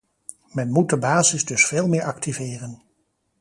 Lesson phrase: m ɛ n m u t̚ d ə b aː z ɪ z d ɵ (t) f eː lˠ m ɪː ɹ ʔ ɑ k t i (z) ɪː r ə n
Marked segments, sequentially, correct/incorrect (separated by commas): incorrect, incorrect